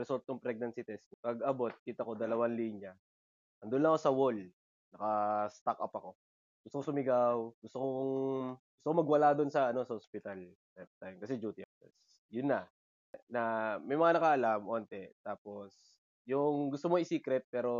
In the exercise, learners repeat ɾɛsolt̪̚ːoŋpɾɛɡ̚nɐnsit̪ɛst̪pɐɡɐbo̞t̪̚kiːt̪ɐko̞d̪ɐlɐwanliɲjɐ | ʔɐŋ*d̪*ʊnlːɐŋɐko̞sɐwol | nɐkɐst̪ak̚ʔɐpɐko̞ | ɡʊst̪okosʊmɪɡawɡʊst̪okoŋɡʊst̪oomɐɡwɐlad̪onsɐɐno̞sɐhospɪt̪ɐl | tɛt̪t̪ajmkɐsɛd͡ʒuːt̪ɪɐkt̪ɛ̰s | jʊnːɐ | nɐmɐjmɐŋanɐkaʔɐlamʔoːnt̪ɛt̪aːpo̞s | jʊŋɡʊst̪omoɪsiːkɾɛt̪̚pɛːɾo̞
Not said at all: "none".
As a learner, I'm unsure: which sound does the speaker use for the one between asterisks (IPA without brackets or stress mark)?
d̪